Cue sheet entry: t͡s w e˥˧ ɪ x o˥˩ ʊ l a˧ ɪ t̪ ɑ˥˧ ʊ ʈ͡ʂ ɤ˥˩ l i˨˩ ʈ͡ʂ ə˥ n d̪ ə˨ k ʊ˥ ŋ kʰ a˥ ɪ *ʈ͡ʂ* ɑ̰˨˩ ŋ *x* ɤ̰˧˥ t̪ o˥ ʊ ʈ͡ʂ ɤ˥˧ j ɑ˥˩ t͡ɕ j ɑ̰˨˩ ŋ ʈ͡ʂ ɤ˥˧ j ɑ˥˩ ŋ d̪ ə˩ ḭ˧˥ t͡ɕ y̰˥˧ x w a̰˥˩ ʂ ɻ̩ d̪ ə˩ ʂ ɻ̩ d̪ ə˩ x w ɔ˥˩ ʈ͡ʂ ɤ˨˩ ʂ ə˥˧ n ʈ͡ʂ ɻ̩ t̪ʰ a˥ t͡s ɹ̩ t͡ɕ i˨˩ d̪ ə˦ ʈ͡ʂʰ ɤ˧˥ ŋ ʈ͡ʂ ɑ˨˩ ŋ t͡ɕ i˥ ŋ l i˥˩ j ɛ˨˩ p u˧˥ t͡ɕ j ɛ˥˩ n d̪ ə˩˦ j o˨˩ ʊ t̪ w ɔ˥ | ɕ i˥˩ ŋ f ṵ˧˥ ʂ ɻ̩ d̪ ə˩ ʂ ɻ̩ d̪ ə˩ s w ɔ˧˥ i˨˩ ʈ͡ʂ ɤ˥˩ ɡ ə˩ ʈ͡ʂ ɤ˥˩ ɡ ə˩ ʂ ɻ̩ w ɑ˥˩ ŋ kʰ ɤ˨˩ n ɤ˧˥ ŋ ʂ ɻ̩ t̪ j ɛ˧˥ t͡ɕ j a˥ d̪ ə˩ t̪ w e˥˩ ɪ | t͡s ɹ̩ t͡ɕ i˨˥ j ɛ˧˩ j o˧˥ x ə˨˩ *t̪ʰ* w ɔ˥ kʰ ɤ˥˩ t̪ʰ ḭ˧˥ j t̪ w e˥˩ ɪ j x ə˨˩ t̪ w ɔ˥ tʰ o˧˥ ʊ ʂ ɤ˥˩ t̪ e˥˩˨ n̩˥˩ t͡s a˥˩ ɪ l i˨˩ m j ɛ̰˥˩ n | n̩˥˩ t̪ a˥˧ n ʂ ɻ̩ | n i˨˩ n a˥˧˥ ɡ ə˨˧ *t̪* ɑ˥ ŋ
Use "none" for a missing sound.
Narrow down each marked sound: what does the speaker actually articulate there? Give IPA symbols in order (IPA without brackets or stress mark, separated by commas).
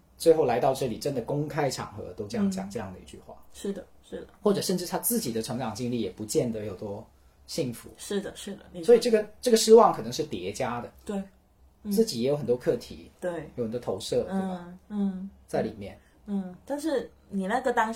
ʈ͡ʂʰ, x, t̪, t̪